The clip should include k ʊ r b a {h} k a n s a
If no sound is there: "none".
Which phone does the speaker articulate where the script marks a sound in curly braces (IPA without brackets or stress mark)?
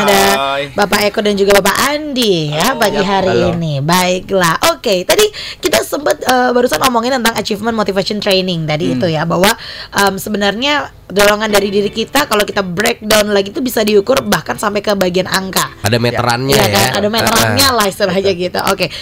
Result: h